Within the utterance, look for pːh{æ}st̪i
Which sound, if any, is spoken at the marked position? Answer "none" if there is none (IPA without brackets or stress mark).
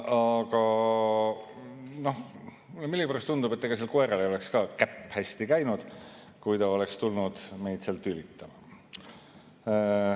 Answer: æ